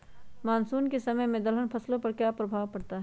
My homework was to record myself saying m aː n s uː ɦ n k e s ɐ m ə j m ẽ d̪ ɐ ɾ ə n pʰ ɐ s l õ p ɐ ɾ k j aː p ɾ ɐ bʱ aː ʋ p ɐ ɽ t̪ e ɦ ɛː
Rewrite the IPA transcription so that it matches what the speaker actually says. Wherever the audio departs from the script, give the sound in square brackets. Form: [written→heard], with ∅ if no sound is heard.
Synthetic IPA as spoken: m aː n s uː [ɦ→∅] n k e s ɐ m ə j m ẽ d̪ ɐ [ɾ→l] ə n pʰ ɐ s l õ p ɐ ɾ k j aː p ɾ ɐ bʱ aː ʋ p ɐ ɽ t̪ [e→a] ɦ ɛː